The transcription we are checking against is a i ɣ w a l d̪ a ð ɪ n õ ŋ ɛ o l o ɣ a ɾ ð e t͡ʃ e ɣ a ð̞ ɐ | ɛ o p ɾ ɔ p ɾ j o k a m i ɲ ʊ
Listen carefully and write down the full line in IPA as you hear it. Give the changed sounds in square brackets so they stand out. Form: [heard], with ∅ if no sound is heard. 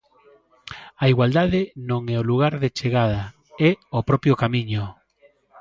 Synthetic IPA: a i ɣ w a l d̪ a ð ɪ n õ ŋ ɛ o l [u] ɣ a ɾ ð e t͡ʃ e ɣ a ð̞ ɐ | ɛ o p ɾ ɔ p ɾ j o k a m i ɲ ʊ